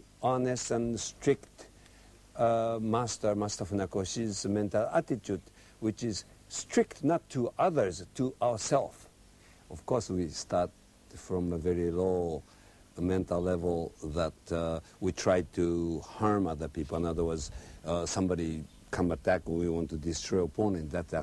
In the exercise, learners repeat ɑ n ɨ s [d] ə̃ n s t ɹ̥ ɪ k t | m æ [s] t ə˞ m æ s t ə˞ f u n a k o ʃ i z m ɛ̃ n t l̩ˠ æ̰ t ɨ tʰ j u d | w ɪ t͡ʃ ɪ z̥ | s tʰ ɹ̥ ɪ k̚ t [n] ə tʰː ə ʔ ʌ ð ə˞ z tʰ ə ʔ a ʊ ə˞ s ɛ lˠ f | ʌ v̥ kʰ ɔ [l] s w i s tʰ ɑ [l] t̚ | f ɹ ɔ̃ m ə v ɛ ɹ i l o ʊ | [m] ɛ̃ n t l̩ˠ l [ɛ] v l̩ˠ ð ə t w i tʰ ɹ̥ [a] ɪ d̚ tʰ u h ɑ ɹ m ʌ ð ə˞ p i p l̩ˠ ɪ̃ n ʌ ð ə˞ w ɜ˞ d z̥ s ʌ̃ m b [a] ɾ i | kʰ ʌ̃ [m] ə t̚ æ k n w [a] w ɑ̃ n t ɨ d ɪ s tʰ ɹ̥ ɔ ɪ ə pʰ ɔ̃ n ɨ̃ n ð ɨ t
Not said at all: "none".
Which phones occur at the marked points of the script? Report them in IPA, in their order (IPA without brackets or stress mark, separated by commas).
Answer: t, s, n, ɹ, ɹ, m, ɛ, a, ɑ, m, i